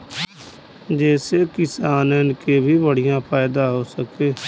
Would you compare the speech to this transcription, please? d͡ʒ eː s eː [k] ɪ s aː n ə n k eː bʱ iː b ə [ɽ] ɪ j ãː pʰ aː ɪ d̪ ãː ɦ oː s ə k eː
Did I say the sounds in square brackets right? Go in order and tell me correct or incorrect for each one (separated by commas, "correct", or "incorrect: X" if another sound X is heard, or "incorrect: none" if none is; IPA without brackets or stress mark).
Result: correct, correct